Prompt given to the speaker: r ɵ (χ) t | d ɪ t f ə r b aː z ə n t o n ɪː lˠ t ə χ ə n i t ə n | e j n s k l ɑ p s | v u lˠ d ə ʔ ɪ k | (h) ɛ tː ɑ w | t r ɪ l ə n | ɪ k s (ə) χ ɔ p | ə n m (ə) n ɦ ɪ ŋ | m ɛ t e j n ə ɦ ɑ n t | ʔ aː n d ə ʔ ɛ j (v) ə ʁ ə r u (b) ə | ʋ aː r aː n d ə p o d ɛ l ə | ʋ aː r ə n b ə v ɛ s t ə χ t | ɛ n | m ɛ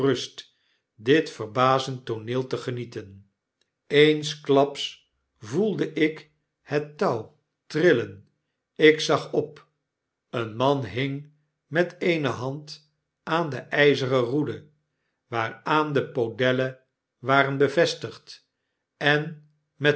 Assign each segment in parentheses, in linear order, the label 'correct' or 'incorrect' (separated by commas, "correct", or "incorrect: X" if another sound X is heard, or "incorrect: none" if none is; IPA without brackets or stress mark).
incorrect: s, correct, incorrect: ɑ, incorrect: ɑ, incorrect: z, incorrect: d